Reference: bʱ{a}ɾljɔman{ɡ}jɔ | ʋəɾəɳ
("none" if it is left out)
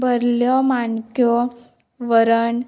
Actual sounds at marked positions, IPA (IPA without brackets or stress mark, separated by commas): ə, k